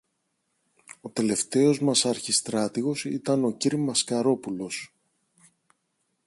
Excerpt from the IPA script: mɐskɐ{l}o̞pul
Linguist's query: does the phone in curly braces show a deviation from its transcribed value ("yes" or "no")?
yes